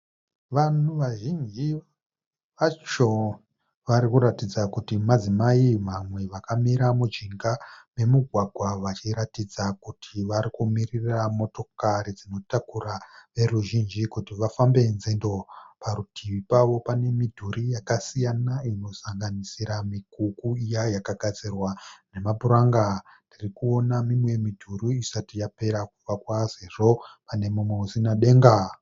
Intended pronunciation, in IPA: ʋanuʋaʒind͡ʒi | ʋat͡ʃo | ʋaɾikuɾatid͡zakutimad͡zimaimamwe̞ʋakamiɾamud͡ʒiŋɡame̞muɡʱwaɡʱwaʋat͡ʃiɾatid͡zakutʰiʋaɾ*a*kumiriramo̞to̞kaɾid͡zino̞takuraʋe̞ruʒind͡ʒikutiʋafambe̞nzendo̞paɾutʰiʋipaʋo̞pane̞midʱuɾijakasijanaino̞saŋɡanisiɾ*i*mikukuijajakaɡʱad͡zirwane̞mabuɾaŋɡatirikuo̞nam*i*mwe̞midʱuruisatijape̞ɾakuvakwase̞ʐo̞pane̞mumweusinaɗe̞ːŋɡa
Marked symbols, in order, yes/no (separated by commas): no, no, yes